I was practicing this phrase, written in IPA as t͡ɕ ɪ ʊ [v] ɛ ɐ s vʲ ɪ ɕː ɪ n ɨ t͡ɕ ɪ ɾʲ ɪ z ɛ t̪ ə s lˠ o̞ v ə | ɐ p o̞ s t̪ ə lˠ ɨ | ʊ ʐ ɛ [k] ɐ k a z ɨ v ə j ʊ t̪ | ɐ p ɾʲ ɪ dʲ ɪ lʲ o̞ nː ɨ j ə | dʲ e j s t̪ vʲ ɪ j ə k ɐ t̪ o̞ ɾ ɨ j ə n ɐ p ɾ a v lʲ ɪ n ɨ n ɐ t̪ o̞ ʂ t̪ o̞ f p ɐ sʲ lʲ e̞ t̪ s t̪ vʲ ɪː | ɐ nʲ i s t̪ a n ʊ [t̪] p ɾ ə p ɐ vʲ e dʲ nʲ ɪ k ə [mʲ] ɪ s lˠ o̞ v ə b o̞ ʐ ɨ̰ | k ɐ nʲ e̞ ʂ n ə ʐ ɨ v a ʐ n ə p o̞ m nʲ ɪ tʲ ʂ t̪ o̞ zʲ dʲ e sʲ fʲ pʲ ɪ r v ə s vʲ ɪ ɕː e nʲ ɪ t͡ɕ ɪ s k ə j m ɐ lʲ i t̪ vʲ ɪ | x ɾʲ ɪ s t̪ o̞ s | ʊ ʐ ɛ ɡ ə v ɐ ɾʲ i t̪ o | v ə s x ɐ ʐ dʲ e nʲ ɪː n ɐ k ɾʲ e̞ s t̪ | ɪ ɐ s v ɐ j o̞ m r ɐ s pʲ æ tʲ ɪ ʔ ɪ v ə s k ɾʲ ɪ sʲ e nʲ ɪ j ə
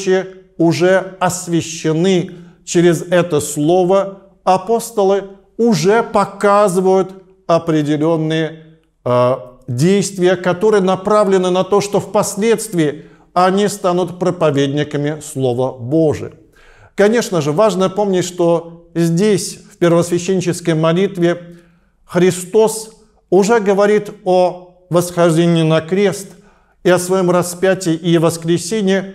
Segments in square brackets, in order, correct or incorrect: incorrect: ʐ, incorrect: p, correct, correct

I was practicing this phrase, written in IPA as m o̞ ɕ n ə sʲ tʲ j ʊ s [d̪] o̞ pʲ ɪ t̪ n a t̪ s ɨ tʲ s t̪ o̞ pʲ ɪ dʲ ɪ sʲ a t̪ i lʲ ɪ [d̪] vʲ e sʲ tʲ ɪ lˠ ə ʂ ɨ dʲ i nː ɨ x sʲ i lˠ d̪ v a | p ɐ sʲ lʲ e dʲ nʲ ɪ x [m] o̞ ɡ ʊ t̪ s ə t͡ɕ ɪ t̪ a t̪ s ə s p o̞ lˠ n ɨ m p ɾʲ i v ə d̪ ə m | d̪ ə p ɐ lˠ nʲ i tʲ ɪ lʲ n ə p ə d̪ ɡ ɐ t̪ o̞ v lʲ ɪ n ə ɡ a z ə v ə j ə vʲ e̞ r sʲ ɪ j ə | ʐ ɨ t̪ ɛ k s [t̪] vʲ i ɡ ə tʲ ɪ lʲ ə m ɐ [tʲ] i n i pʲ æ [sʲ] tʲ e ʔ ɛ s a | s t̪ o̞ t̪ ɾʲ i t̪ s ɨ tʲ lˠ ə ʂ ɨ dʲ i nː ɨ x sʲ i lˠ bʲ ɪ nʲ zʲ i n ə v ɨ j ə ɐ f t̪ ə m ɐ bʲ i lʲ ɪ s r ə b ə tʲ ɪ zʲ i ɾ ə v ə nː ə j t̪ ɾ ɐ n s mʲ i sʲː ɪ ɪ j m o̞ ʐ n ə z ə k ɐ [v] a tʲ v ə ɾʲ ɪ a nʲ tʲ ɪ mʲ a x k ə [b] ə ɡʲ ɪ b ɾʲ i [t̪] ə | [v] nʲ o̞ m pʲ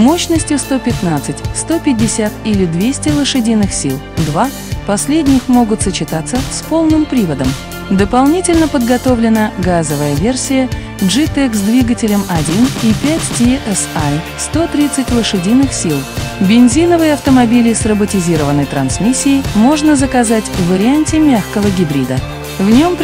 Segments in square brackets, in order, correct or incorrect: incorrect: t̪, correct, correct, incorrect: d̪, incorrect: dʲ, incorrect: tʲ, incorrect: z, incorrect: v, incorrect: d̪, correct

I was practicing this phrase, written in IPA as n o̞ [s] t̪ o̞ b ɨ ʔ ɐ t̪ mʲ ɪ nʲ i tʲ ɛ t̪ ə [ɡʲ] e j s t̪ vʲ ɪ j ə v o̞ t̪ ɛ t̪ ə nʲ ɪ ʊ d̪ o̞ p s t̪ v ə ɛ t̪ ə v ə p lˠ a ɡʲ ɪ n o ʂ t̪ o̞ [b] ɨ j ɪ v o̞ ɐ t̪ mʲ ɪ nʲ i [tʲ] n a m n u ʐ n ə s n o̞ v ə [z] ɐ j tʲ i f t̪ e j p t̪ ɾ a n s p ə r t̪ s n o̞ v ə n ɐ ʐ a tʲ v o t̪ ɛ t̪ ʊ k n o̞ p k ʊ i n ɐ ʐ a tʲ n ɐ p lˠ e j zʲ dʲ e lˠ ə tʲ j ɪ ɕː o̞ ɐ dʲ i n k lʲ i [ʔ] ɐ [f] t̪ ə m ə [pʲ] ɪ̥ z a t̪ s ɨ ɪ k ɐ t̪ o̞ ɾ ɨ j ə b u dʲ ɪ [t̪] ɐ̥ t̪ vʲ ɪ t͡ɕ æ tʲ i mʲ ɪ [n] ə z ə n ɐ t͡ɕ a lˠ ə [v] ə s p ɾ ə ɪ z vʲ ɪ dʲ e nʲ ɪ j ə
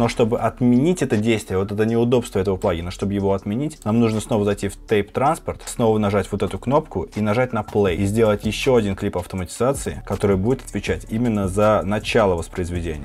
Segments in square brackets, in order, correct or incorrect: incorrect: ʂ, incorrect: dʲ, correct, correct, correct, incorrect: p, correct, incorrect: tʲ, correct, incorrect: nː, correct

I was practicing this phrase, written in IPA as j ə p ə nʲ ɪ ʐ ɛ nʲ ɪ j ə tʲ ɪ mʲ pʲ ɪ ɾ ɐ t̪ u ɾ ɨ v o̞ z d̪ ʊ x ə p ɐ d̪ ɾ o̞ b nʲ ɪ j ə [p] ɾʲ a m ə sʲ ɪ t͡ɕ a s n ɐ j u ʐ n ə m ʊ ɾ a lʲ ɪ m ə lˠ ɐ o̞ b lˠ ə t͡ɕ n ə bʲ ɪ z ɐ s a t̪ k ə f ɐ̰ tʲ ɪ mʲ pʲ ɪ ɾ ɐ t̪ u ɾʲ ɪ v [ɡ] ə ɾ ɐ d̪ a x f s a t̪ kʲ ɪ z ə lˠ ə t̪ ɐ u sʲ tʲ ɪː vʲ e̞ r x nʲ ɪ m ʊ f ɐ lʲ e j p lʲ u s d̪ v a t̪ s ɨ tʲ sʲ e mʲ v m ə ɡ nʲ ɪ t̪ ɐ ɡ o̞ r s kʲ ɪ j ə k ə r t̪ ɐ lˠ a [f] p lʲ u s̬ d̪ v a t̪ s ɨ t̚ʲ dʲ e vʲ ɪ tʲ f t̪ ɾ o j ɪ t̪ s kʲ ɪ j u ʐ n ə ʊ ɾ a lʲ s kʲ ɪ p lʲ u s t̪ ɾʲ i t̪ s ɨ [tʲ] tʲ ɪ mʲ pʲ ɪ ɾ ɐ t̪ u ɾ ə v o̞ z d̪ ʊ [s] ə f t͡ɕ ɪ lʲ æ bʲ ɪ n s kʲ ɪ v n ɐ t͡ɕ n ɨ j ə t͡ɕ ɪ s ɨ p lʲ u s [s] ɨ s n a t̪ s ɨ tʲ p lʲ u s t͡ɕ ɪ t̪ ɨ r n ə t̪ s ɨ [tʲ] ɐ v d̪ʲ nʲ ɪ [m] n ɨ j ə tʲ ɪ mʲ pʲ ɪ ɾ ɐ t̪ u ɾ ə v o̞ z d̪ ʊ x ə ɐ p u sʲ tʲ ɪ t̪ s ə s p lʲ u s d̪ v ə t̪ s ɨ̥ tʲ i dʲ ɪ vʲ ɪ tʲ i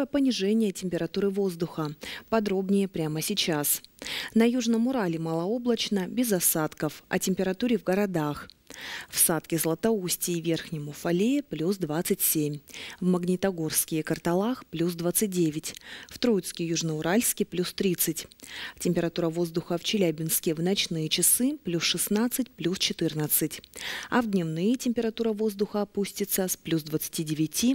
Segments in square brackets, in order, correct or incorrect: correct, correct, incorrect: x, correct, incorrect: x, incorrect: ʂ, correct, correct

